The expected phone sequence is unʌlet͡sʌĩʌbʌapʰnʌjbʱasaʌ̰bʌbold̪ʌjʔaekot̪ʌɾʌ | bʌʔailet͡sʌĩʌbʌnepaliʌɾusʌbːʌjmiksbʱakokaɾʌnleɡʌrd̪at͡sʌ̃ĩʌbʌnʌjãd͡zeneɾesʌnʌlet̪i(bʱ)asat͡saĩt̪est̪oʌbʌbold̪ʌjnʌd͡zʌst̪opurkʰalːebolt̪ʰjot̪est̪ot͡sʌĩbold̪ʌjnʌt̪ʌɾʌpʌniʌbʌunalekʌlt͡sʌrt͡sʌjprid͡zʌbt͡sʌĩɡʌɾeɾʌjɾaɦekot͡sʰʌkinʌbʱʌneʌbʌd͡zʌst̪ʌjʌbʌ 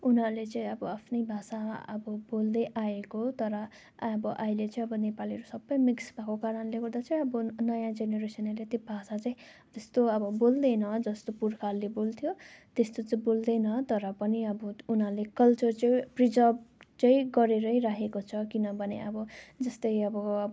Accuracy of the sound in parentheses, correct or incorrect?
correct